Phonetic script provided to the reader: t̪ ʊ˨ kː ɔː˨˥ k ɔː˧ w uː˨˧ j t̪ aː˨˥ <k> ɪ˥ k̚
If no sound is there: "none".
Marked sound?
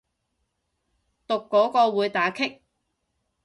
kʰ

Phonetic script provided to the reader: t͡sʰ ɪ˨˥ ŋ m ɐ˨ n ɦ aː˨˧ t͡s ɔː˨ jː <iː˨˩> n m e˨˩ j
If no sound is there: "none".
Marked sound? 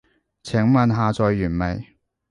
yː˨˩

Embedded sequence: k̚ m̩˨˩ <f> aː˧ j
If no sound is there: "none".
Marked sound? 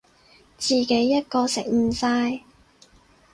s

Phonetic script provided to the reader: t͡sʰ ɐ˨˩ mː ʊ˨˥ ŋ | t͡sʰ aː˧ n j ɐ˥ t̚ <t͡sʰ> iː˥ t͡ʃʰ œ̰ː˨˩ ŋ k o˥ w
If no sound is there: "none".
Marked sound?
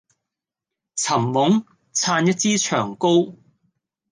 t͡s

